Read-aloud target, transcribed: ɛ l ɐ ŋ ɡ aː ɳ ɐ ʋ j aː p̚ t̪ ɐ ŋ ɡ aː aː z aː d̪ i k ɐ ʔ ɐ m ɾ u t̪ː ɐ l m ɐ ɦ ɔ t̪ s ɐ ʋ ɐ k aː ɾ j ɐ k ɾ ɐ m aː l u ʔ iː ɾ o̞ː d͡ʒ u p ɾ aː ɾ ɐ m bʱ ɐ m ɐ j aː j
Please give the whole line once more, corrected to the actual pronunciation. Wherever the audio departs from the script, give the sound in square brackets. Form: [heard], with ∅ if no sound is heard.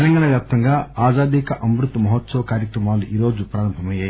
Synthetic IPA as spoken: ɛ l ɐ ŋ ɡ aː ɳ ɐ ʋ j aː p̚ t̪ ɐ ŋ ɡ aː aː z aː d̪ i k ɐ ʔ ɐ m ɾ u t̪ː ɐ [∅] m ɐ ɦ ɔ t̪ s ɐ ʋ ɐ k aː ɾ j ɐ k ɾ ɐ m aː l u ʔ iː ɾ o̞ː d͡ʒ u p ɾ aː ɾ ɐ m bʱ ɐ m ɐ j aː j